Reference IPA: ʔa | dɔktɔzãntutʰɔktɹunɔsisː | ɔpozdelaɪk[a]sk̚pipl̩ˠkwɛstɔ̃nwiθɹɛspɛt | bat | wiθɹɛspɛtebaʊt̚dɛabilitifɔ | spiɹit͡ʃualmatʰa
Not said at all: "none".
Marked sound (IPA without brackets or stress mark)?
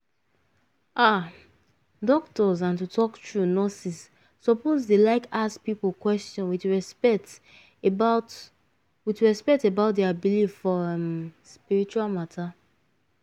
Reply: a